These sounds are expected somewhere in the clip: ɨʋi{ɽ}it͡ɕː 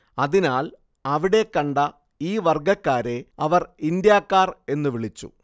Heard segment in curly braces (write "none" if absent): ɭ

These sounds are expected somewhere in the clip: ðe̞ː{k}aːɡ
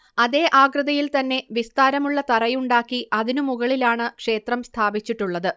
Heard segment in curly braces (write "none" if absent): ʔ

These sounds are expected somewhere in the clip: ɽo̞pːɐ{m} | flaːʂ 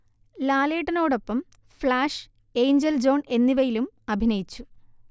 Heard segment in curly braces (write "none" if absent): m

